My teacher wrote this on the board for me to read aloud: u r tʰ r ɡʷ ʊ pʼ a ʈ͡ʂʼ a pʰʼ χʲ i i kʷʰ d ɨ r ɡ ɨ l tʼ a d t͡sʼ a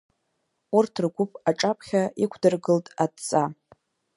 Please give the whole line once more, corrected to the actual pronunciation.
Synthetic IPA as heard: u r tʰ r ɡʷ ʊ pʼ a ʈ͡ʂʼ a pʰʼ χʲ a i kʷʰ d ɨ r ɡ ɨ l tʼ a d t͡sʼ a